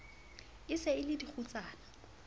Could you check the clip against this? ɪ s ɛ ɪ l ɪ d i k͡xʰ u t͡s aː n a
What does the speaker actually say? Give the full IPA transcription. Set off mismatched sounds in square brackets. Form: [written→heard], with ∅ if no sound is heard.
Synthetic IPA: ɪ s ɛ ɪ l ɪ d i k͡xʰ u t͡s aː n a